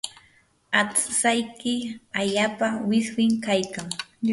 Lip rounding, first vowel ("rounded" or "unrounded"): unrounded